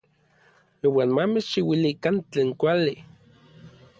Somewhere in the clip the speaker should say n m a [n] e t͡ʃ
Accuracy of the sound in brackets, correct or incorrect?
incorrect